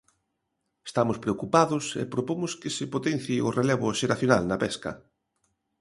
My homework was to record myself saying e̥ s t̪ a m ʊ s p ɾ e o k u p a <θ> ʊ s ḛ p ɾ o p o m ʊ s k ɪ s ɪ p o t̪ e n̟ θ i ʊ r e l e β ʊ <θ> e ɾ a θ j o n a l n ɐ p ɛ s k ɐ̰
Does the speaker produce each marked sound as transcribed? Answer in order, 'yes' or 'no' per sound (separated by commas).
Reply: no, no